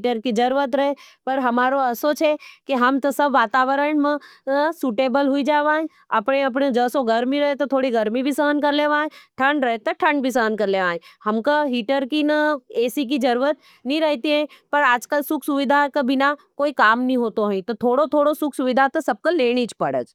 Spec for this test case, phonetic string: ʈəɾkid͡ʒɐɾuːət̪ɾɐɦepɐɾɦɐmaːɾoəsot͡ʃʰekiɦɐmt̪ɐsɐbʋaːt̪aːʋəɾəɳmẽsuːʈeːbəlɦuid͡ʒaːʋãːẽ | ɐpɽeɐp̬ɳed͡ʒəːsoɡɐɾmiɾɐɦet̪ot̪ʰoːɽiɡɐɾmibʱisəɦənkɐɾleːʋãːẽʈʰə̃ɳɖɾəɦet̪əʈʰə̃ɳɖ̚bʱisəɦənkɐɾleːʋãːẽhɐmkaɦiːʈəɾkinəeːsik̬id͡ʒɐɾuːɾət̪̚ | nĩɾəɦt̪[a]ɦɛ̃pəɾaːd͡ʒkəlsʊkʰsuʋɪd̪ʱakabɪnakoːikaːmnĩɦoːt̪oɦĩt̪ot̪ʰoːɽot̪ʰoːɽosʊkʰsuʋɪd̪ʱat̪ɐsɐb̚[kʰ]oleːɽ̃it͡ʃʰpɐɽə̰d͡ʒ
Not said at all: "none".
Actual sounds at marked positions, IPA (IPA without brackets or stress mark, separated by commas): i, k